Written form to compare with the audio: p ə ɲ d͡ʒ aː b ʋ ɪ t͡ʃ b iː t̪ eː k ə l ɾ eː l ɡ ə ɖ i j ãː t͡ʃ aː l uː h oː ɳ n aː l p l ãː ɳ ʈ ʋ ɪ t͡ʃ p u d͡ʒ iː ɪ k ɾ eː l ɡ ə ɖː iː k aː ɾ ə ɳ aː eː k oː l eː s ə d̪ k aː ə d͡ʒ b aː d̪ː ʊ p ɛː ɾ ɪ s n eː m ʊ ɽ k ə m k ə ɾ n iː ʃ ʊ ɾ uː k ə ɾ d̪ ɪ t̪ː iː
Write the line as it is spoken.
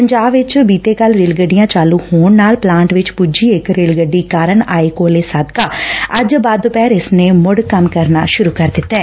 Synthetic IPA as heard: p ə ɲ d͡ʒ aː b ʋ ɪ t͡ʃ b iː t̪ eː k ə l ɾ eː l ɡ ə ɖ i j ãː t͡ʃ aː l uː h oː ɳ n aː l p l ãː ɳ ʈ ʋ ɪ t͡ʃ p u d͡ʒ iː ɪ k ɾ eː l ɡ ə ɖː iː k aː ɾ ə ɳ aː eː k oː l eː s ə d̪ k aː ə d͡ʒ b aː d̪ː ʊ p ɛː ɾ ɪ s n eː m ʊ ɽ k ə m k ə ɾ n aː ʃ ʊ ɾ uː k ə ɾ d̪ ɪ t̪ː ɛː

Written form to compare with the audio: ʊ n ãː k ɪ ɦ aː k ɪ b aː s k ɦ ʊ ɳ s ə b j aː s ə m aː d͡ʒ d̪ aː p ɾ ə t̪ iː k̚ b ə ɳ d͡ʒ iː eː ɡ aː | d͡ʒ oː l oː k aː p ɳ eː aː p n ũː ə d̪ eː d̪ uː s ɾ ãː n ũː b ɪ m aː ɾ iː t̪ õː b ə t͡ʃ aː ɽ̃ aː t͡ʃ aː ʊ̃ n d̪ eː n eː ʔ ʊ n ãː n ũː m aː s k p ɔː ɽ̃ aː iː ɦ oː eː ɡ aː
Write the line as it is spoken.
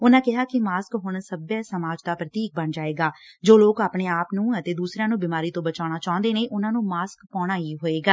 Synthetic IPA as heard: ʊ n ãː k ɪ ɦ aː k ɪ m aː s k ɦ ʊ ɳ s ə b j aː s ə m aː d͡ʒ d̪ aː p ɾ ə t̪ iː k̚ b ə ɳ d͡ʒ aː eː ɡ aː | d͡ʒ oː l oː k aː p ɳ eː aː p n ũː ə t̪ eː d̪ uː s ɾ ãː n ũː b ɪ m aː ɾ iː t̪ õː b ə t͡ʃ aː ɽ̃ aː t͡ʃ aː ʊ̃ n d̪ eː n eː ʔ ʊ n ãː n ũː m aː s k p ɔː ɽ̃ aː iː ɦ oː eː ɡ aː

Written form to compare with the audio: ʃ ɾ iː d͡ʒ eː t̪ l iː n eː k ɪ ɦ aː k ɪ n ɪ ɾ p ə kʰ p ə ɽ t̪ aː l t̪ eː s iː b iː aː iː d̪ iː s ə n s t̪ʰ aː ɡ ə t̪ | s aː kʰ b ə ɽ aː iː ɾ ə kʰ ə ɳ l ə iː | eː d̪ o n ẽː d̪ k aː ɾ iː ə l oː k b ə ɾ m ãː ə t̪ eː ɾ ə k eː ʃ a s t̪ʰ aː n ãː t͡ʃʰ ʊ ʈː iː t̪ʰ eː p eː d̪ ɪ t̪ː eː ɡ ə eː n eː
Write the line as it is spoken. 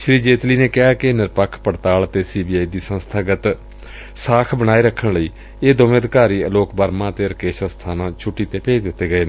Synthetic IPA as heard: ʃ ɾ iː d͡ʒ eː t̪ l iː n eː k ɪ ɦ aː k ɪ n ɪ ɾ p ə kʰ p ə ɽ t̪ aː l t̪ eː s iː b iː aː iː d̪ iː s ə n s t̪ʰ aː ɡ ə t̪ | s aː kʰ b ə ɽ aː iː ɾ ə kʰ ə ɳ l ə iː | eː d̪ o m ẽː d̪ k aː ɾ iː ə l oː k b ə ɾ m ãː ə t̪ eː ɾ ə k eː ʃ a s t̪ʰ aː n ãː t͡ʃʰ ʊ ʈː iː t̪ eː p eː d̪ ɪ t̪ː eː ɡ ə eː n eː

